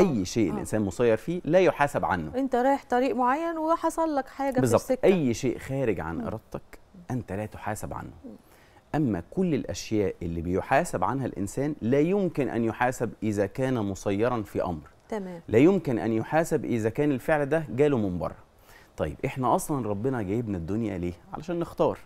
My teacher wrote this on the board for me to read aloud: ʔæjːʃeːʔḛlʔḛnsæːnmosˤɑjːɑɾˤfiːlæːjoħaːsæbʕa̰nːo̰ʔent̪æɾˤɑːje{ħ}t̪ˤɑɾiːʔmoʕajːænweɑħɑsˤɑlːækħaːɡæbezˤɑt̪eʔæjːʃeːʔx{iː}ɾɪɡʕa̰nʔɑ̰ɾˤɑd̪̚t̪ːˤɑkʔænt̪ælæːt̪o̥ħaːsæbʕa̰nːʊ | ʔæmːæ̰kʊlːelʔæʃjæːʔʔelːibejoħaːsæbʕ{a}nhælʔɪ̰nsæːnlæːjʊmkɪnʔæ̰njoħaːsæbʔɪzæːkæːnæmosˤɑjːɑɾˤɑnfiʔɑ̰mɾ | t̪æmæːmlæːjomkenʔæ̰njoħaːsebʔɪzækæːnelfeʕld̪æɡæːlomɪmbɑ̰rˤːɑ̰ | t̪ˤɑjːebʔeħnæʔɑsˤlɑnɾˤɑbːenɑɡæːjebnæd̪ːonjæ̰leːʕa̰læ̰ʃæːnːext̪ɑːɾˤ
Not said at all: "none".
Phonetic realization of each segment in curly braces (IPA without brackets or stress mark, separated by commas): ħ, æː, a